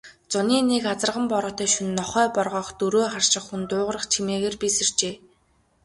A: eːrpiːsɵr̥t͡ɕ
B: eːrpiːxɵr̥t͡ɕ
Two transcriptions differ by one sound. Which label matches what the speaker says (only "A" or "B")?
A